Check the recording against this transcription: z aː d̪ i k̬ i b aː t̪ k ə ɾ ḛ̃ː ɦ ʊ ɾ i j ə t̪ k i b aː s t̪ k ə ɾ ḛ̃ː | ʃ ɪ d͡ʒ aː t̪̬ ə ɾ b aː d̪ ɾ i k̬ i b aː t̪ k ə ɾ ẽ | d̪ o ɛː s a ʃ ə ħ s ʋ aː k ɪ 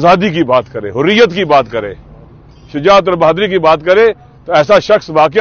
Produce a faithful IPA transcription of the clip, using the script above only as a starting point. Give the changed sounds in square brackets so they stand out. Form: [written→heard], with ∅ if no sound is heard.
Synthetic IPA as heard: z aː d̪ i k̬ i b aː t̪ k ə ɾ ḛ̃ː ɦ ʊ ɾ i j ə t̪ k i b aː [s→∅] t̪ k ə ɾ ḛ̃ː | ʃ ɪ d͡ʒ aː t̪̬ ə ɾ b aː d̪ ɾ i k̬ i b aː t̪ k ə ɾ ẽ | [d̪→t̪] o ɛː s a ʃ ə [ħ→x] s ʋ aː k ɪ